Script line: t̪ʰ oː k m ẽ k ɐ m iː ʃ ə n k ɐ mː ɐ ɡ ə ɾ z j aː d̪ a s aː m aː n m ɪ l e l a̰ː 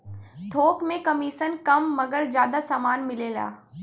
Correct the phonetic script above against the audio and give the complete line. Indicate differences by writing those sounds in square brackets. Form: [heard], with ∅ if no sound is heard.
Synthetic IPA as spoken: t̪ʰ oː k m ẽ k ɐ m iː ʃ ə n k ɐ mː ɐ ɡ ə ɾ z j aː d̪ a s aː m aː n m ɪ l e l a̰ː